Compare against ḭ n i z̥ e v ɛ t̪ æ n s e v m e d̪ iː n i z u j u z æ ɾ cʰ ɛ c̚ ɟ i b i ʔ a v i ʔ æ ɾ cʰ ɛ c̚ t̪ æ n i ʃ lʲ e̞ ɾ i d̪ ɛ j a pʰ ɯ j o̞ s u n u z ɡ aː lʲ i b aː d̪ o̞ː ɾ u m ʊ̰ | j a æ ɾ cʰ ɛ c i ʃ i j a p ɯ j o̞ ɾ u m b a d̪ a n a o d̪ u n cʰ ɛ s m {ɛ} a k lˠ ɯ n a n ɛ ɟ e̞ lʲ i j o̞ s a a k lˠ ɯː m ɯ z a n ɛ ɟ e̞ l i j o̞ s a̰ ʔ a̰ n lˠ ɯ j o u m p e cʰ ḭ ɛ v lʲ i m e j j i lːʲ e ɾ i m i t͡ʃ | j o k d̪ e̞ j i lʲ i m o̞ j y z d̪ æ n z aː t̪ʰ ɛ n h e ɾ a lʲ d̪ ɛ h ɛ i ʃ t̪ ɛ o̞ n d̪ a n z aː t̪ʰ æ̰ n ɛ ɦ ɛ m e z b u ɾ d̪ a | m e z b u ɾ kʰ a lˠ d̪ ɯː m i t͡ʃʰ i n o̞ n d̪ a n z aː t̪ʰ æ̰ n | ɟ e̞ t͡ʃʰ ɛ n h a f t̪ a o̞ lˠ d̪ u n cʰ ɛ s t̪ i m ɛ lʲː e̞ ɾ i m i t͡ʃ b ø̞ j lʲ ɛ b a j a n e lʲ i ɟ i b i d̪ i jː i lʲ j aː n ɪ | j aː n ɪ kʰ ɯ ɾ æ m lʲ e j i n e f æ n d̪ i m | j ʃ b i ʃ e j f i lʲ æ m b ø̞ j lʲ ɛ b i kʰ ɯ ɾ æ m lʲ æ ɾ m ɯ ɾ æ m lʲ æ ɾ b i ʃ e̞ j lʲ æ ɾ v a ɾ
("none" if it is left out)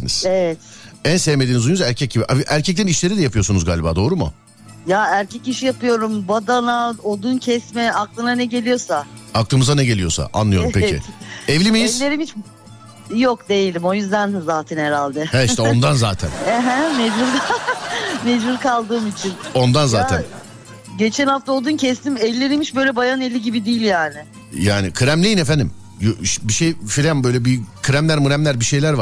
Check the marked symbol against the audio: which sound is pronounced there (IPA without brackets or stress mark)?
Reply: ɛ